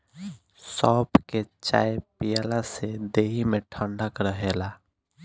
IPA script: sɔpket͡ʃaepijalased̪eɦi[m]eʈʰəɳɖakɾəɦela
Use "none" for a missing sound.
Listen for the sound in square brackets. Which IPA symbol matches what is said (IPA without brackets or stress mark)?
m